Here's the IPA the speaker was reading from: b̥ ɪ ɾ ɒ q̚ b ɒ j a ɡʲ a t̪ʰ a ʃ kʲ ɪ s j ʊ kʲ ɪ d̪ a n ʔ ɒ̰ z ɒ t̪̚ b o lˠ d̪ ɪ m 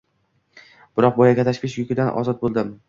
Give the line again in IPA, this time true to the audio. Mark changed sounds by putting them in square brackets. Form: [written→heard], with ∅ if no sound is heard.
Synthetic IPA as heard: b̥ ɪ ɾ ɒ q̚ b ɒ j a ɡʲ a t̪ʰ a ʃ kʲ ɪ [s→ʃ] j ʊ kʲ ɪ d̪ a n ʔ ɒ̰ z ɒ t̪̚ b o lˠ d̪ ɪ m